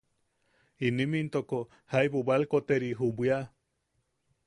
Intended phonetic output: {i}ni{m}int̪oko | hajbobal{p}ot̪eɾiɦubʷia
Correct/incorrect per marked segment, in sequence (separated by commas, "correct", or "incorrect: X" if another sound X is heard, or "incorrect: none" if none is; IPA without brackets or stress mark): correct, correct, incorrect: k